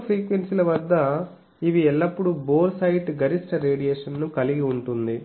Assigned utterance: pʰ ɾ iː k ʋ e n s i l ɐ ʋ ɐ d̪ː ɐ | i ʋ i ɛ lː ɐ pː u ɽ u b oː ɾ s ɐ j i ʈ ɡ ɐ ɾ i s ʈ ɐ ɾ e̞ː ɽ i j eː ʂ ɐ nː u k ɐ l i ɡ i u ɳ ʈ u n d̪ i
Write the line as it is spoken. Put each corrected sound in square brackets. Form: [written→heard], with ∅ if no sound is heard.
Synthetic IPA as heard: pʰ ɾ iː k ʋ e n s i l ɐ ʋ ɐ d̪ː ɐ | i ʋ i ɛ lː ɐ pː u ɽ u b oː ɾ s ɐ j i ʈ ɡ ɐ ɾ i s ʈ ɐ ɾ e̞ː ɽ i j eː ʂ ɐ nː u k ɐ l i ɡ i u ɳ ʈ u n d̪ i